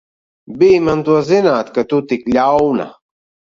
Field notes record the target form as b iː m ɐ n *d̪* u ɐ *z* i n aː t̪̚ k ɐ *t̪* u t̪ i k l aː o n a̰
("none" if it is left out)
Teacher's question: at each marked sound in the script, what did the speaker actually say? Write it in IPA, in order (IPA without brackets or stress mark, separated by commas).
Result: t̪, z, t̪